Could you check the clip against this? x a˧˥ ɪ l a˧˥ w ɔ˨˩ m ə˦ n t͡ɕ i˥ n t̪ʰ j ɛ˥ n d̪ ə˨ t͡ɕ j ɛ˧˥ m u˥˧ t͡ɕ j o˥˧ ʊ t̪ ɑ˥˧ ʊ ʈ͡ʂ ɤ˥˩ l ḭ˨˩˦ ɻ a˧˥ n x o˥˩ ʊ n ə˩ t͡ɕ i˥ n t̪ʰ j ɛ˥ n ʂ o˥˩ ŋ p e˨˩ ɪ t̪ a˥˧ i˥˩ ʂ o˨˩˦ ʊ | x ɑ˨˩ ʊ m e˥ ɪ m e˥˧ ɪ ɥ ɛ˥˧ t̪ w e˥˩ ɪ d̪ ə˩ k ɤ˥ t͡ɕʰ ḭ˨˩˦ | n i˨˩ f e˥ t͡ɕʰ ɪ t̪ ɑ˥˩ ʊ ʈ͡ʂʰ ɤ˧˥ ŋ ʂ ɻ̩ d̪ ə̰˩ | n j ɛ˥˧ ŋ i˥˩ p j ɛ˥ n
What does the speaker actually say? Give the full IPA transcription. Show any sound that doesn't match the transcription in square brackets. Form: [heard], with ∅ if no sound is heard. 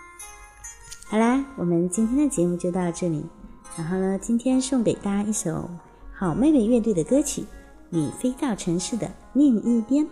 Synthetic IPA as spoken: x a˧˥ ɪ l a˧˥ w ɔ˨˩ m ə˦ n t͡ɕ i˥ n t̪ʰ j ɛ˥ n d̪ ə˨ t͡ɕ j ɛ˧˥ m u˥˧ t͡ɕ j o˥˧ ʊ t̪ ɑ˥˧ ʊ ʈ͡ʂ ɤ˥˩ l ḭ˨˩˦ ɻ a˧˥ n x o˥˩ ʊ n ə˩ t͡ɕ i˥ n t̪ʰ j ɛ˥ n ʂ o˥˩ ŋ p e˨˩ ɪ t̪ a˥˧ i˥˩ ʂ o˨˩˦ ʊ | x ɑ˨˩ ʊ m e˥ ɪ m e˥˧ ɪ ɥ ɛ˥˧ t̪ w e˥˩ ɪ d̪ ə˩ k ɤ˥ t͡ɕʰ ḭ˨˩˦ | n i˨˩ f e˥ [∅] ɪ t̪ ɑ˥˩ ʊ ʈ͡ʂʰ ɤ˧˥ ŋ ʂ ɻ̩ d̪ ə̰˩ | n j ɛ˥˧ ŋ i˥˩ p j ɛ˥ n